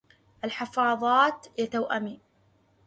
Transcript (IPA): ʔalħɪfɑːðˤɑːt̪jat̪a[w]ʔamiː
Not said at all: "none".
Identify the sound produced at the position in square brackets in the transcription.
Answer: w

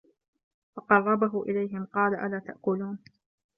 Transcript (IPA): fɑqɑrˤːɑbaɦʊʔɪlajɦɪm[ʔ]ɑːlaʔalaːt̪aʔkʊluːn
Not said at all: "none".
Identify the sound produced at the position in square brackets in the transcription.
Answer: q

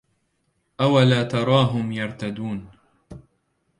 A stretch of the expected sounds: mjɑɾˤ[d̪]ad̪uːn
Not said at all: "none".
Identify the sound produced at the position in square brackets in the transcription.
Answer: t̪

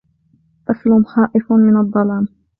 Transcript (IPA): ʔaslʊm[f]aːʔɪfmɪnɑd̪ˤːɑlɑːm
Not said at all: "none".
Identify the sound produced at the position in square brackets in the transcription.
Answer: x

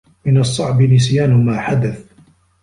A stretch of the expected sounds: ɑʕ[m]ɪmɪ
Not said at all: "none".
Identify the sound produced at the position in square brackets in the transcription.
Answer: b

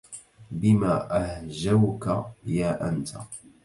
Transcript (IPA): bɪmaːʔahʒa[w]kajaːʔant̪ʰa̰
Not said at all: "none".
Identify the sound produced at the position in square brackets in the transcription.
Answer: w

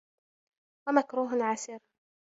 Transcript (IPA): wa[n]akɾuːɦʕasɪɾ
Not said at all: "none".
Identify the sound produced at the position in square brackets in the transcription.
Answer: m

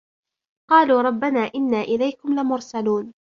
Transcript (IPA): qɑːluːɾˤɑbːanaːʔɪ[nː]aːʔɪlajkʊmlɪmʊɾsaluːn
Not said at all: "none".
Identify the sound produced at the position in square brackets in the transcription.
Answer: nː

